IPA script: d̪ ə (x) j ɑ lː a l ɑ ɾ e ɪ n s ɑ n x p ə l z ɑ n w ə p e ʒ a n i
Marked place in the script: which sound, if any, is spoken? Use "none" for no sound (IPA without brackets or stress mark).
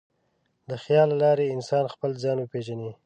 x